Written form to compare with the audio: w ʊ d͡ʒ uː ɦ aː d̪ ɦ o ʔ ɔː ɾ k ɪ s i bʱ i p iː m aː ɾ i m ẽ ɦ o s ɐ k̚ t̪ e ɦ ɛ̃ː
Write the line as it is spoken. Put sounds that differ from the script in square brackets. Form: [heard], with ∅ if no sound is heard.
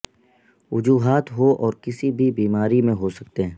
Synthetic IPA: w ʊ d͡ʒ uː ɦ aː [t̪] ɦ o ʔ ɔː ɾ k ɪ s i bʱ i [b] iː m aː ɾ i m ẽ ɦ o s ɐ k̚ t̪ e ɦ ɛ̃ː